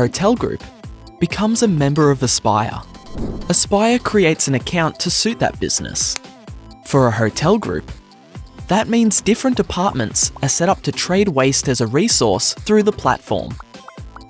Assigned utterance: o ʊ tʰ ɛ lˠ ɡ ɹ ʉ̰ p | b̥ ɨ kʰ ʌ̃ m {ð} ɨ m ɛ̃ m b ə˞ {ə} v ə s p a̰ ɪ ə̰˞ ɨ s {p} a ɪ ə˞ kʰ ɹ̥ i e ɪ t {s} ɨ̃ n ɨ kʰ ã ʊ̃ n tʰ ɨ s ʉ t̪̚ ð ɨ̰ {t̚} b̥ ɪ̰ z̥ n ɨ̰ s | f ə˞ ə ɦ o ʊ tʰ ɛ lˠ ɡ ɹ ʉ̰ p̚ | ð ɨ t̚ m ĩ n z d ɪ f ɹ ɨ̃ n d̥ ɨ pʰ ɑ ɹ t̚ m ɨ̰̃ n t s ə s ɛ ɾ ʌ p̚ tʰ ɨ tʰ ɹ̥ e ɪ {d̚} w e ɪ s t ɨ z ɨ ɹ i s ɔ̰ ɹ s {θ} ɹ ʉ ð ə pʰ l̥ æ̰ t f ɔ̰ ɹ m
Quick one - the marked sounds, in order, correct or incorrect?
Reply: incorrect, incorrect, correct, correct, correct, correct, correct

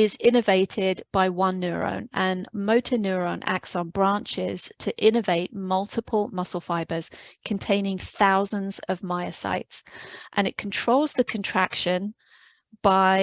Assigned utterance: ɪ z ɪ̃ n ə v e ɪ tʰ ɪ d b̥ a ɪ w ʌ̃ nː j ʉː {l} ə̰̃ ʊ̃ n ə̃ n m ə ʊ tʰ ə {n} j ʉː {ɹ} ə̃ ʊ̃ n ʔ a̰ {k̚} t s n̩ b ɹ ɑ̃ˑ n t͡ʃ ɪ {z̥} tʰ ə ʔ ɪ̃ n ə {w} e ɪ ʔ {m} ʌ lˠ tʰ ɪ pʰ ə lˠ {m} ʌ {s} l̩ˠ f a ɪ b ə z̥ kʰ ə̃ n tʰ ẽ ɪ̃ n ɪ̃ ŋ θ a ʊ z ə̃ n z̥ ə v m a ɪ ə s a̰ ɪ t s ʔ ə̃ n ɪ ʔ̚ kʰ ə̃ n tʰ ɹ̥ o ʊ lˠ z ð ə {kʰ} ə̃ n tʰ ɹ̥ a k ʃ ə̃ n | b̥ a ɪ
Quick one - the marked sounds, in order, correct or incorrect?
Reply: incorrect, correct, correct, correct, correct, incorrect, correct, correct, correct, correct

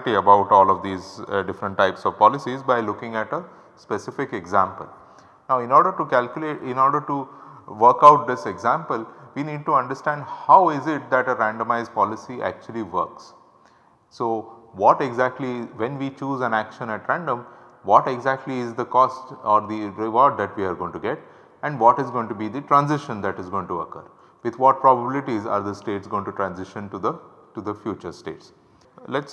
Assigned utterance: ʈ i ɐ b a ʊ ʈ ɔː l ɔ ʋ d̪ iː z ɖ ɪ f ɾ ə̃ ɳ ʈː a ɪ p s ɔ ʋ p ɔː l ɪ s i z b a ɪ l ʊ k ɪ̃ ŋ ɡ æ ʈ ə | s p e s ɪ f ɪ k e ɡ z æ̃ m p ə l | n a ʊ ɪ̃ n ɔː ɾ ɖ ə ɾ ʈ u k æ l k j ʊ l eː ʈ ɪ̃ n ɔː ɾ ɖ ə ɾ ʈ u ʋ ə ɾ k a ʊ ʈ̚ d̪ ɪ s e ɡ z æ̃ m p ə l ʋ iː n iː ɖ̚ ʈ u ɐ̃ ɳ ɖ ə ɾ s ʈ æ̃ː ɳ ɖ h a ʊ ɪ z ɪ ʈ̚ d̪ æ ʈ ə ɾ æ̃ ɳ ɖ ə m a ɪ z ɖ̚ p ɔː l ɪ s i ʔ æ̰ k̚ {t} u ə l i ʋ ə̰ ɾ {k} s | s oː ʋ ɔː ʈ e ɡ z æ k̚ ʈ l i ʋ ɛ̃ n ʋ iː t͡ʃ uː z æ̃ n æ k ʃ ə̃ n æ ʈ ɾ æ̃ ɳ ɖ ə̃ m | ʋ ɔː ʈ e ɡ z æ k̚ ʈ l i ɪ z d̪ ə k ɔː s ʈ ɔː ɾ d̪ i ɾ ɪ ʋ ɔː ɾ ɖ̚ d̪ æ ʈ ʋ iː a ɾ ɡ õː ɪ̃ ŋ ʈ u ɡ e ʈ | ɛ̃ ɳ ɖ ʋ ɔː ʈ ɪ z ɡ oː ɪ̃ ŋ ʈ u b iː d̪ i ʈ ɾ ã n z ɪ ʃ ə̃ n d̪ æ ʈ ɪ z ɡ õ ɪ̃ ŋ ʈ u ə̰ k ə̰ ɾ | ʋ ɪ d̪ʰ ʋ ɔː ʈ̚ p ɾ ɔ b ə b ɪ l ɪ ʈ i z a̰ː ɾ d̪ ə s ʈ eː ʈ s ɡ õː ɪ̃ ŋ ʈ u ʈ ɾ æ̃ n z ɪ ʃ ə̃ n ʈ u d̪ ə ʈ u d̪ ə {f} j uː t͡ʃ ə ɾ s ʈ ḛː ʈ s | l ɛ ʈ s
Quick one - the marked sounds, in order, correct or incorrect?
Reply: incorrect, correct, correct

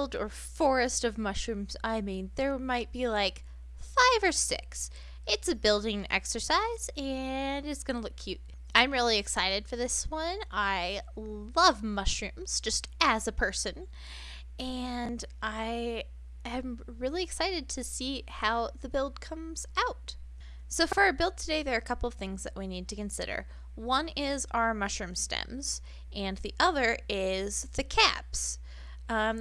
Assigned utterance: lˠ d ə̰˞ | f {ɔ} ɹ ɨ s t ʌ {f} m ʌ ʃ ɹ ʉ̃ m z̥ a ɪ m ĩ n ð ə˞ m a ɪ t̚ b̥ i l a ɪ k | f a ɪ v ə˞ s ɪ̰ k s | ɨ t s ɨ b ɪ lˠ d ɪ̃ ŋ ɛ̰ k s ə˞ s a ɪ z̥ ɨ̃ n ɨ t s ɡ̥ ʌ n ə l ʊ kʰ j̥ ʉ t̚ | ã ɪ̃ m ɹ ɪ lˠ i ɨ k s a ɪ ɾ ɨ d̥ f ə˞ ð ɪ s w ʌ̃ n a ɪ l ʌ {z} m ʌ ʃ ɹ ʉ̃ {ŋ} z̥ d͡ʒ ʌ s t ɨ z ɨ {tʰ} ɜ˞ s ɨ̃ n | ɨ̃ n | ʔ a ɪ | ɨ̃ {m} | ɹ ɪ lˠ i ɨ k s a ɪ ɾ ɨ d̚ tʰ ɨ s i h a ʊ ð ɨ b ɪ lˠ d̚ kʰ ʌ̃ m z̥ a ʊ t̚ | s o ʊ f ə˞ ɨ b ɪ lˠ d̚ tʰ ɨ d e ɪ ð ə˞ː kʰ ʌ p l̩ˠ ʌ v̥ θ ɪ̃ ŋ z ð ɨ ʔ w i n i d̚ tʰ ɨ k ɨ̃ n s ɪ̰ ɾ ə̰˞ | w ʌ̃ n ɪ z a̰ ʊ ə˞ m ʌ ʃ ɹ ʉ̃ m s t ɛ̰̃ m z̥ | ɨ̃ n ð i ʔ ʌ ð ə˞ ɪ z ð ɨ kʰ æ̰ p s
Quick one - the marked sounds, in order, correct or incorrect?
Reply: correct, incorrect, incorrect, incorrect, incorrect, correct

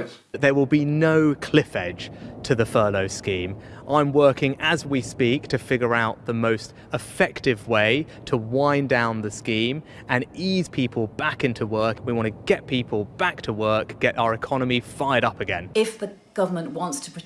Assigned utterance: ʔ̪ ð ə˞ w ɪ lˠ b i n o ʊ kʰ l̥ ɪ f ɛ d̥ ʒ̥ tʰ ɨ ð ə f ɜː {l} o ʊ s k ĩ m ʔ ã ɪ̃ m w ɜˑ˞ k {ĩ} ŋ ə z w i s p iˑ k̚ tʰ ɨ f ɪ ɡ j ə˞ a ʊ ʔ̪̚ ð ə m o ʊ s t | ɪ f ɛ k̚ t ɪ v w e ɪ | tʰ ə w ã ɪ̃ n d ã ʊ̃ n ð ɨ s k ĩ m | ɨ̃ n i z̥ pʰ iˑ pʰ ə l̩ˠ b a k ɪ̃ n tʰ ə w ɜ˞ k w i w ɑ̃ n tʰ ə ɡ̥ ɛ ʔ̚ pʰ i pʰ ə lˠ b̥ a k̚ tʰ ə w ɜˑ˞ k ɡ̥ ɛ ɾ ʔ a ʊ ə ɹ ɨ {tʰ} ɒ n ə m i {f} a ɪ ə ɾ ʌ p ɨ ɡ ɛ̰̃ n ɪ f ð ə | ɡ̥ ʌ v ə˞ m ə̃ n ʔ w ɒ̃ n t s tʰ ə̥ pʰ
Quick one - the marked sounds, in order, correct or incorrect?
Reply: correct, incorrect, incorrect, correct

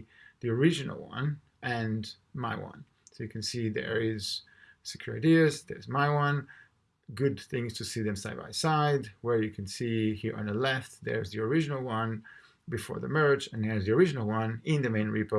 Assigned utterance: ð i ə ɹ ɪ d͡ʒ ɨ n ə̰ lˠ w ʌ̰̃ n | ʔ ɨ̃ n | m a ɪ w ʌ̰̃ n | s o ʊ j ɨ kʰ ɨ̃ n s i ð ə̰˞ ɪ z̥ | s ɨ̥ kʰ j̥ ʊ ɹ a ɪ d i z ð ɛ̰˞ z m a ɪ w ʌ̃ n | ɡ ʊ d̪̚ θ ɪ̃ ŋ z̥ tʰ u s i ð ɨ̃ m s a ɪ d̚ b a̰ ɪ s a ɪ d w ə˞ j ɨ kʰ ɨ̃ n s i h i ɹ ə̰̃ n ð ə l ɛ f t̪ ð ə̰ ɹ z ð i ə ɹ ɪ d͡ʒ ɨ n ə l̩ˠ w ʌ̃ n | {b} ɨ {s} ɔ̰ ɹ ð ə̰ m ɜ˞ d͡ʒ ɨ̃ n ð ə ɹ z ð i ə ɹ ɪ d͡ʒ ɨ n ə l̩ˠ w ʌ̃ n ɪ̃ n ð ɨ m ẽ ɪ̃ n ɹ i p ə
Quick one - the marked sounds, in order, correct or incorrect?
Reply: correct, incorrect

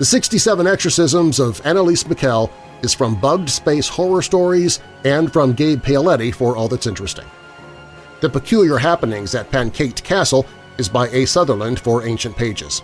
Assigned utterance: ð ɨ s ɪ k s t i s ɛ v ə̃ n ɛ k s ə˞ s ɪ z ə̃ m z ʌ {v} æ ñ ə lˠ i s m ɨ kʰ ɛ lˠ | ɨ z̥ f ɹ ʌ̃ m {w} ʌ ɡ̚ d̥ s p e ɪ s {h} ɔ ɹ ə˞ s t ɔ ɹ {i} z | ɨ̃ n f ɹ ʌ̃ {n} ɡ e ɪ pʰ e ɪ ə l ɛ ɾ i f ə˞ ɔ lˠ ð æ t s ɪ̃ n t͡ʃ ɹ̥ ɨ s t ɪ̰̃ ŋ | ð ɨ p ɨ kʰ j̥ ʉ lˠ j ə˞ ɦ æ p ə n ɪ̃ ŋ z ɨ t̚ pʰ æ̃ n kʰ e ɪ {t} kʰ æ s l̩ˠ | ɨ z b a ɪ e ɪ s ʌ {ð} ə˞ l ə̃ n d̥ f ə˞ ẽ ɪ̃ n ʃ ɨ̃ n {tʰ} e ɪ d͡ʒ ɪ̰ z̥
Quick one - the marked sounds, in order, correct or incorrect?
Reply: correct, incorrect, correct, correct, incorrect, correct, correct, incorrect

